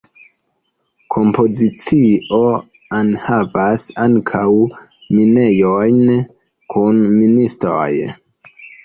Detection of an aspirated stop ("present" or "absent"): present